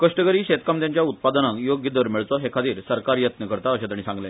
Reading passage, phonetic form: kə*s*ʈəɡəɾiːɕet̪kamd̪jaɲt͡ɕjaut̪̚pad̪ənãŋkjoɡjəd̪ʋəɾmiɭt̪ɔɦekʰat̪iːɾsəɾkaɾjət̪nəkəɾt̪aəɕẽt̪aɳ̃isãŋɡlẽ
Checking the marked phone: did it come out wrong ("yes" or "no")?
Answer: yes